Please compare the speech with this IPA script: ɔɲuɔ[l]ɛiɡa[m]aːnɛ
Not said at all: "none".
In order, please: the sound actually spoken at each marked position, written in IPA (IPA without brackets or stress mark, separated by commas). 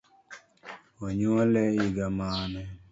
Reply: l, m